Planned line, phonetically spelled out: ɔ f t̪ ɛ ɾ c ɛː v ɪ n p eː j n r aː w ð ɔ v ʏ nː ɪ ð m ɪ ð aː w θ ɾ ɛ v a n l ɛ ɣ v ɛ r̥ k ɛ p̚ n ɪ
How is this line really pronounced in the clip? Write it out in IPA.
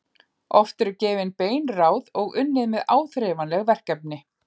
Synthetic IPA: ɔ f t̪ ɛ ɾ c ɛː v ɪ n p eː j n r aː w ð ɔ ɣ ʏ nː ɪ ð m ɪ ð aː w θ ɾ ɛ v a n l ɛ ɣ v ɛ r̥ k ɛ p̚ n ɪ